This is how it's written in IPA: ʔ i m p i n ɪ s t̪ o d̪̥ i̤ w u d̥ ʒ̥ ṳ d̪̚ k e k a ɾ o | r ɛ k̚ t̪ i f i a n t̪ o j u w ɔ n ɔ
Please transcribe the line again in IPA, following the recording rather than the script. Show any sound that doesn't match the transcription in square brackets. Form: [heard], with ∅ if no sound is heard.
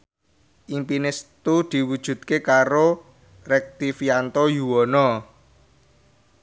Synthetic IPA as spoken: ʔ i m p i n ɪ s t̪ [u] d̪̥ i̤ w u d̥ ʒ̥ ṳ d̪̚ k e k a ɾ o | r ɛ k̚ t̪ i f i a n t̪ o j u w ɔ n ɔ